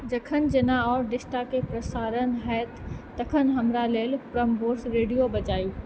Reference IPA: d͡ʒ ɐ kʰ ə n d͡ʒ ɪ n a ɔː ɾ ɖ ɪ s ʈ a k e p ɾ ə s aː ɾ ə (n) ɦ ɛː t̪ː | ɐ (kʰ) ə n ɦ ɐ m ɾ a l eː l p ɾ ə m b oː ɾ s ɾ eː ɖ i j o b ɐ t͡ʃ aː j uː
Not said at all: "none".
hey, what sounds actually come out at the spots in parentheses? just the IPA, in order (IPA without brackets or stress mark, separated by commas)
n, kʰ